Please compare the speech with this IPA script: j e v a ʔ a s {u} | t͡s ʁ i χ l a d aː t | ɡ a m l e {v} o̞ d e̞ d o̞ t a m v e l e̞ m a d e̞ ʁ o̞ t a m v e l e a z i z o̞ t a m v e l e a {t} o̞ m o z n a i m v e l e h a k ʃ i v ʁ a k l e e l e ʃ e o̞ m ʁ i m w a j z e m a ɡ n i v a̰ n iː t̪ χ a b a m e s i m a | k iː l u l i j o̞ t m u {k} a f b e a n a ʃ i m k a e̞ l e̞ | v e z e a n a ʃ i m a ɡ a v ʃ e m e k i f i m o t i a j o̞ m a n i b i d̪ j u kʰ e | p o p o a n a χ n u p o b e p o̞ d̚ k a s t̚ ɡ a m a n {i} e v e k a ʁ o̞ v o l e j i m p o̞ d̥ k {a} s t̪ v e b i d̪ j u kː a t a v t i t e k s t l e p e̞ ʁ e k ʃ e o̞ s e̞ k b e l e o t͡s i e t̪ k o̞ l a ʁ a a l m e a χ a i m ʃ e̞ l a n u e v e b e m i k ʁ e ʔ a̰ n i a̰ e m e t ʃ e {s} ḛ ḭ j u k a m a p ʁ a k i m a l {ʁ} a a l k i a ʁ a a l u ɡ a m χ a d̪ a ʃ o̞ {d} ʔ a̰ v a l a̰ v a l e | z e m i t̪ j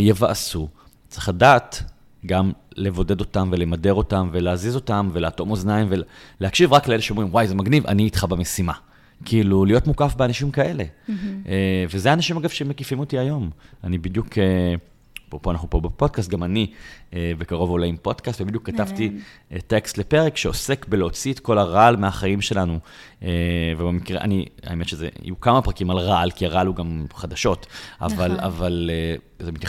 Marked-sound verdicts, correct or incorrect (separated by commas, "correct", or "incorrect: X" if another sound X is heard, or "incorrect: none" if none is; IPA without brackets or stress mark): correct, correct, correct, correct, correct, correct, incorrect: z, correct, incorrect: t